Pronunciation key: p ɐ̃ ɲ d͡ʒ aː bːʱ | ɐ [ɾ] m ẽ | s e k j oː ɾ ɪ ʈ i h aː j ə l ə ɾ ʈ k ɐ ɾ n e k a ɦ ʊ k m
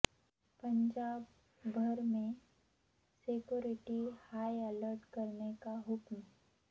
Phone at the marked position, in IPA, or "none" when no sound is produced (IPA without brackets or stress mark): ɾ